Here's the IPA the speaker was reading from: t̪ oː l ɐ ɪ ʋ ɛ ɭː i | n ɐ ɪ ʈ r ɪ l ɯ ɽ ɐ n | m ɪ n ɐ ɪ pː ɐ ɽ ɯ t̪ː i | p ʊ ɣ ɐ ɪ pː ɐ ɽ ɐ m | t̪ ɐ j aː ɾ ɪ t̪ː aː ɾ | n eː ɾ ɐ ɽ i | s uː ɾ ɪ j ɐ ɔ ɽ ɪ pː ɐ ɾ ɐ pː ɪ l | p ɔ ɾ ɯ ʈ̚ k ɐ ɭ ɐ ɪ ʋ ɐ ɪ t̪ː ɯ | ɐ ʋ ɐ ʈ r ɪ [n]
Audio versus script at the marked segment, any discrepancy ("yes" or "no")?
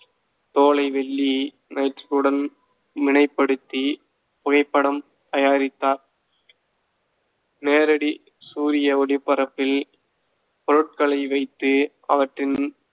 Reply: no